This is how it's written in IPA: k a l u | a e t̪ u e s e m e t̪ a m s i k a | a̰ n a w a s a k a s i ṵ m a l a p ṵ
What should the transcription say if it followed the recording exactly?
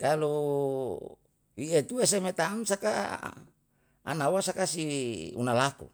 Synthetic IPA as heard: k a l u | i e t̪ u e s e m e t̪ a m s a k a | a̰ n a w a s a k a s i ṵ n a l a k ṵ